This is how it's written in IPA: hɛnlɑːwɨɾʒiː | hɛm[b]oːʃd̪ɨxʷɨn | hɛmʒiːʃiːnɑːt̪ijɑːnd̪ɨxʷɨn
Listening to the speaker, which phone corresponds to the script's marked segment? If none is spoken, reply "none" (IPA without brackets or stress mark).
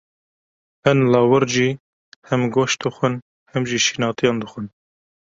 ɡ